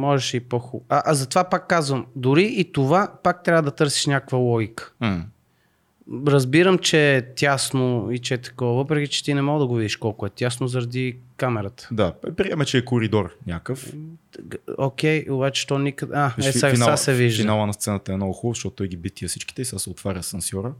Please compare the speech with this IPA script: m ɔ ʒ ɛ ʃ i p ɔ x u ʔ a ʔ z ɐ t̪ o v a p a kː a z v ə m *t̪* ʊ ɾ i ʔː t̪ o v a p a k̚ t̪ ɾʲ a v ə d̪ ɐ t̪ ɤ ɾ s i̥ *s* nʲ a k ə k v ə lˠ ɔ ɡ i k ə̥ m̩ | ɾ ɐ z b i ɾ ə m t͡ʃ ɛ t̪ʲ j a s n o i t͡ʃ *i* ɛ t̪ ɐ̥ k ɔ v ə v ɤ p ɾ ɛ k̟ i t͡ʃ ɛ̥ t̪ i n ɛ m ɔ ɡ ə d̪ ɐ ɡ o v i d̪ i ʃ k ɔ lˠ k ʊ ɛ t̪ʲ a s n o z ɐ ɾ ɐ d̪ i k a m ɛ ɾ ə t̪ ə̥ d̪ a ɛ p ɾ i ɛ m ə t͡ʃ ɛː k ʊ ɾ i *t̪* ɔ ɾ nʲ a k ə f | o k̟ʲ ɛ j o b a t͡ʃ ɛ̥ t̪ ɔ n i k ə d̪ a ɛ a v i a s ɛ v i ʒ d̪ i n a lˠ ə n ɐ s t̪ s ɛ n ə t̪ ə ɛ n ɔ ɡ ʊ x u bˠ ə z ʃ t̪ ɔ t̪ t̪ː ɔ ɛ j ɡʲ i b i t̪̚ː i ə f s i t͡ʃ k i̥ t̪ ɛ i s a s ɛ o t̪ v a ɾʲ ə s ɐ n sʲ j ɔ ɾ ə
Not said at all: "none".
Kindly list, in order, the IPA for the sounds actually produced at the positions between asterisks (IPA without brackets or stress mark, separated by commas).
d̪, ʃ, ɛ, d̪